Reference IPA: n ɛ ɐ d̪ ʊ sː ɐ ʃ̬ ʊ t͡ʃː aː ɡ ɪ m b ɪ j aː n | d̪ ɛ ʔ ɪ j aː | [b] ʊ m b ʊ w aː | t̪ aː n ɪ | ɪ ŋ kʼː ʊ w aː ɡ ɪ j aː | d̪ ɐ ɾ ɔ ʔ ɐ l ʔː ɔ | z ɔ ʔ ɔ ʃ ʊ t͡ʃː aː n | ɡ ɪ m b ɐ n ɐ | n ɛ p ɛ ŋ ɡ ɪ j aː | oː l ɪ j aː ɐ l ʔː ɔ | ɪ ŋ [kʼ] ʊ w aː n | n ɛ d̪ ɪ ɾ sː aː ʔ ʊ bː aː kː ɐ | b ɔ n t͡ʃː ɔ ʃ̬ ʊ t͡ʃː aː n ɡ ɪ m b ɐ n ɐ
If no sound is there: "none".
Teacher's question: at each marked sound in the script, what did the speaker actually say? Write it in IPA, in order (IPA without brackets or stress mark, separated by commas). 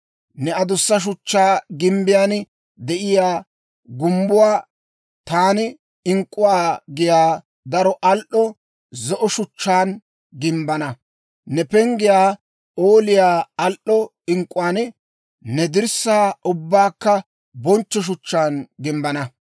ɡ, kʼ